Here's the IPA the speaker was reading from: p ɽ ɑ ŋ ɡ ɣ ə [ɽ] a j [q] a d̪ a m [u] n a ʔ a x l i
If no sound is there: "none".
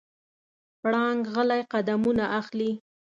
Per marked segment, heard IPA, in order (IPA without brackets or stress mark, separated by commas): l, q, u